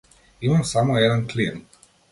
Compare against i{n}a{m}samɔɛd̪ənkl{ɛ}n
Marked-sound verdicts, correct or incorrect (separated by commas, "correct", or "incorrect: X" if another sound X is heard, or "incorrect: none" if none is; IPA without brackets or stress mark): incorrect: m, correct, incorrect: i